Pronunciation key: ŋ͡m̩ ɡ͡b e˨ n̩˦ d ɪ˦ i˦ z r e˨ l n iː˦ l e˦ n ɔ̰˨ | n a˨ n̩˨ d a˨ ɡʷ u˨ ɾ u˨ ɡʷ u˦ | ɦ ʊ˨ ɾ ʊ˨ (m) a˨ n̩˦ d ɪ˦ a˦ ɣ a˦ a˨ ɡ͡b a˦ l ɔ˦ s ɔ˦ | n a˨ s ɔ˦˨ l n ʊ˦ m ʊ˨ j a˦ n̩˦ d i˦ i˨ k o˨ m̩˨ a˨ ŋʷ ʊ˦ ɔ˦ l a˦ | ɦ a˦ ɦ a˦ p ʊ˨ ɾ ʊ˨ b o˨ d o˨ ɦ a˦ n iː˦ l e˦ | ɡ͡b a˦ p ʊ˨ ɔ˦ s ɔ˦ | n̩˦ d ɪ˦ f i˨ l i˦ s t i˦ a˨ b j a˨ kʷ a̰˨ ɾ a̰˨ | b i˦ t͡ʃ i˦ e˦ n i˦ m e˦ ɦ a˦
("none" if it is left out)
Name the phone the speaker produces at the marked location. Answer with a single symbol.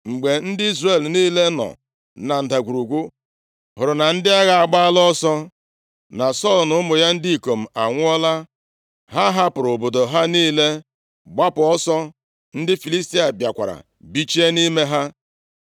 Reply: n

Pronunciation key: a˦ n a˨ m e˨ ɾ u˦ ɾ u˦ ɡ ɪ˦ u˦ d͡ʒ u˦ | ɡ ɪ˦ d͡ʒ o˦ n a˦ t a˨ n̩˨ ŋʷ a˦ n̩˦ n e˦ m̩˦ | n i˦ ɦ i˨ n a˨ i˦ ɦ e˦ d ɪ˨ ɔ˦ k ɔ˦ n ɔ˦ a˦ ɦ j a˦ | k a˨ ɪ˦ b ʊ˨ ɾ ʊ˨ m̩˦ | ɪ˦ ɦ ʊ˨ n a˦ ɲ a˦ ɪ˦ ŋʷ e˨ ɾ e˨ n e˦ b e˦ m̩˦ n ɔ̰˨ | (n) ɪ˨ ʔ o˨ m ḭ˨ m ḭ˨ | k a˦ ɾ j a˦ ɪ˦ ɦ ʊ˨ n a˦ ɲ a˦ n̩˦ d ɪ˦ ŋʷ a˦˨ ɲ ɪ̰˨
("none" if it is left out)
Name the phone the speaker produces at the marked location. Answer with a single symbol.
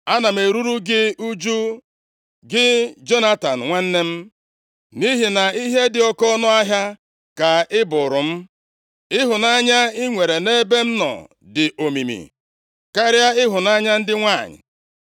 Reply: d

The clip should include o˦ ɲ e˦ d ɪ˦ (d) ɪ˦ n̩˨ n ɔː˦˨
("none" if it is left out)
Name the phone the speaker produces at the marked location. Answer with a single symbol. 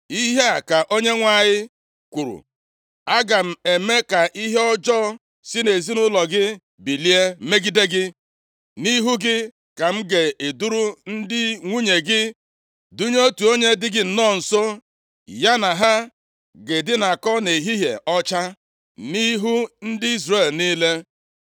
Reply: ɡ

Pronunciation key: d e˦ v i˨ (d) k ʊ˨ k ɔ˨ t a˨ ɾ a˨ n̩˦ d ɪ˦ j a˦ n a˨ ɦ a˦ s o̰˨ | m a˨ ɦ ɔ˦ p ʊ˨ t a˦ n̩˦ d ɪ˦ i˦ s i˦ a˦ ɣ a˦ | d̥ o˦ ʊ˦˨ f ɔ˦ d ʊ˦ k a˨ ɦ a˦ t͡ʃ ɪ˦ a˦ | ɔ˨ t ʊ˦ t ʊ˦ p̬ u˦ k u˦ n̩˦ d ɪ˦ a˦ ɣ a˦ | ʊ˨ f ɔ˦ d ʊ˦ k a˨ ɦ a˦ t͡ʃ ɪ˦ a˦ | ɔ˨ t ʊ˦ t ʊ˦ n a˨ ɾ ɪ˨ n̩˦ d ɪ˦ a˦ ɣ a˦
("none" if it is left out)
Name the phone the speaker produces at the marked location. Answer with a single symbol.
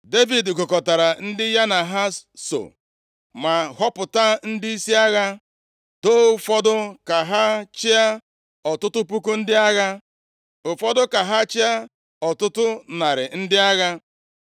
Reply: d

